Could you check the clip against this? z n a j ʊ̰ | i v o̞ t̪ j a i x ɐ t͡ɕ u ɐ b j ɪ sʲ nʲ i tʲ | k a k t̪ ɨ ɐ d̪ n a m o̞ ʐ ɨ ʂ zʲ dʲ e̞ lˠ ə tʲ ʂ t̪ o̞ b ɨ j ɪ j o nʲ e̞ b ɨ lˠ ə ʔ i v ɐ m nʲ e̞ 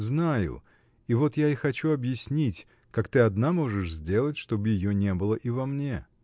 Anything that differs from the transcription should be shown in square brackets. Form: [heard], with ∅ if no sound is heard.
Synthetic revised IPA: z n a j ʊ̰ | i v o̞ t̪ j a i x ɐ t͡ɕ u ɐ b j ɪ sʲ nʲ i tʲ | k a k t̪ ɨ ɐ d̪ n a m o̞ ʐ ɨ ʂ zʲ dʲ e̞ lˠ ə tʲ ʂ t̪ o̞ b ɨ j ɪ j o nʲ e̞ b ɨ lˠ ə ʔ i v ɐ m nʲ e̞